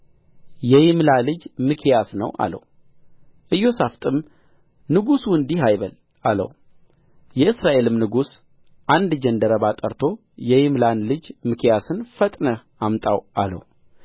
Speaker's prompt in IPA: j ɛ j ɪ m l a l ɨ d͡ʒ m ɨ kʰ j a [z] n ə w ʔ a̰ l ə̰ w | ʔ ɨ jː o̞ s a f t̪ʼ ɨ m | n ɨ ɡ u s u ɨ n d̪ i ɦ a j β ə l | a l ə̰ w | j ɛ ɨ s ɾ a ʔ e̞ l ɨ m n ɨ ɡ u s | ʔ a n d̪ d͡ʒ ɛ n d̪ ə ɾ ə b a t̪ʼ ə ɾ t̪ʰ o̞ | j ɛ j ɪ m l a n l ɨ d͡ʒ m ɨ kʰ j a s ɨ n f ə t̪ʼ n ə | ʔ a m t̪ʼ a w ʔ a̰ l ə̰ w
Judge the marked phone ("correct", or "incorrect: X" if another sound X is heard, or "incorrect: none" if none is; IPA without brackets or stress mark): incorrect: s